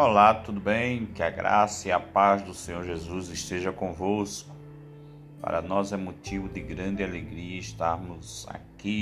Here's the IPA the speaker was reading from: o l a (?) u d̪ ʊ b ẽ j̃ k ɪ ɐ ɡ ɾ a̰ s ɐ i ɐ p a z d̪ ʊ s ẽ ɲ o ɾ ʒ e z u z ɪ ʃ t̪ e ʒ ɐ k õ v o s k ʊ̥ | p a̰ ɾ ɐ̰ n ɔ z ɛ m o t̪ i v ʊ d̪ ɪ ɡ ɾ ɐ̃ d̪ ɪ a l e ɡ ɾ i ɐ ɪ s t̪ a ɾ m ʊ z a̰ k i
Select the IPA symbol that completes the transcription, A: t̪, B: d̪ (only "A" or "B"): A